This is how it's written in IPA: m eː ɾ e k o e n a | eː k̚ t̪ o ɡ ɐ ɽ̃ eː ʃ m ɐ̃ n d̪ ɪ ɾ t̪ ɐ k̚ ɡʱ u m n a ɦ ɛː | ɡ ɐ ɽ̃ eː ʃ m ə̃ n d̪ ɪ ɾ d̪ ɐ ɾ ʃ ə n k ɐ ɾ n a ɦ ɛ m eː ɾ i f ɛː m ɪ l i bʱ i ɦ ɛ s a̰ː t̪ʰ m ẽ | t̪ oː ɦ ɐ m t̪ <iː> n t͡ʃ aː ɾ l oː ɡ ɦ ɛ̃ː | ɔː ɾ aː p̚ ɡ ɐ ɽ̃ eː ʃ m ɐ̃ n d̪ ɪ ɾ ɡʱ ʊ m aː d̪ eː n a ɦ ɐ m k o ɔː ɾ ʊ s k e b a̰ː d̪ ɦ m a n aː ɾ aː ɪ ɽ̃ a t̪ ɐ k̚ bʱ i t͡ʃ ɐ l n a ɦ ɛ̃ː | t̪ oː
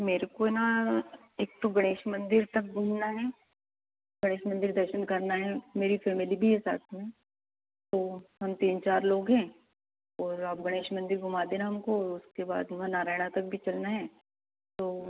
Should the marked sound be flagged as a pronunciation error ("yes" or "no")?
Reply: no